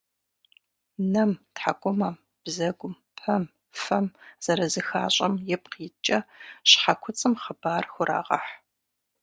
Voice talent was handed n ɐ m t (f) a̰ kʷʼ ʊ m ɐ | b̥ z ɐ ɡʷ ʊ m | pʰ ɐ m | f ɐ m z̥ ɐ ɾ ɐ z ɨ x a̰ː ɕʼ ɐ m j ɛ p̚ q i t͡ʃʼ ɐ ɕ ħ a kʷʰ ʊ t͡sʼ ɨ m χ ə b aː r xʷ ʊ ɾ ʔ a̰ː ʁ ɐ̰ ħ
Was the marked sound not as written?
yes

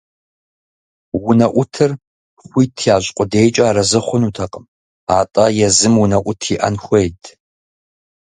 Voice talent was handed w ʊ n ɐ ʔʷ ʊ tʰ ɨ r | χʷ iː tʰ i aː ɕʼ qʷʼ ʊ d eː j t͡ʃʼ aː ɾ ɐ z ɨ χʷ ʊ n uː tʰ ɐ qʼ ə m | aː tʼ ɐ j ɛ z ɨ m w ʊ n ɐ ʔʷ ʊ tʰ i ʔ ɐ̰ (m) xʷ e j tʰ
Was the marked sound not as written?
yes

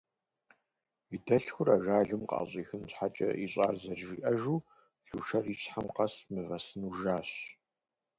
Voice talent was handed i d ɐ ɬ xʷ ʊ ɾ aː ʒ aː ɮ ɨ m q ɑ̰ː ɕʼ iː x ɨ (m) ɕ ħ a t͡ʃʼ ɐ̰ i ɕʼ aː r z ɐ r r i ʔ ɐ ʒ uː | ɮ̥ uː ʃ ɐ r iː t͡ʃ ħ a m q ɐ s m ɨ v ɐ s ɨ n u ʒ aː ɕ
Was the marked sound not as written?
yes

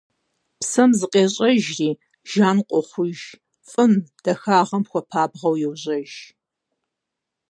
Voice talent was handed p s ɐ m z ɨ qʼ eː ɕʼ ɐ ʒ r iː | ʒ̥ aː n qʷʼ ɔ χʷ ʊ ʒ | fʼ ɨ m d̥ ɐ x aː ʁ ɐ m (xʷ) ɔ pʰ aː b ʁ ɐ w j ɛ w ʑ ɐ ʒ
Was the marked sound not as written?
no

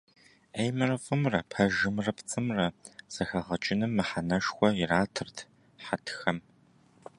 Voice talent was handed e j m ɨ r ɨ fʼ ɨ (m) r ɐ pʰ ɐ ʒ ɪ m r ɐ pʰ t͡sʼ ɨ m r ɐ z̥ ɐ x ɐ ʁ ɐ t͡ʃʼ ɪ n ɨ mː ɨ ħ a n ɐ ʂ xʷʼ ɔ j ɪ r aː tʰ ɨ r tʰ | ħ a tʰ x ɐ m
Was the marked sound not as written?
no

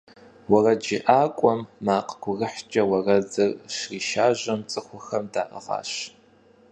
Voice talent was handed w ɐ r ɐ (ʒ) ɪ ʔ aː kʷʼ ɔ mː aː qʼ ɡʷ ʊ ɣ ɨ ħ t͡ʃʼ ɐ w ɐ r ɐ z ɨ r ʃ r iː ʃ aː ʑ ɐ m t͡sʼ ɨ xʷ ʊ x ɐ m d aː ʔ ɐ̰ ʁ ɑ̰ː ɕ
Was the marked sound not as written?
yes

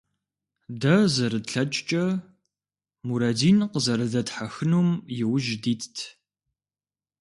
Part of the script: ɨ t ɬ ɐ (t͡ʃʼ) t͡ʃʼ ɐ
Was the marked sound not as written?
no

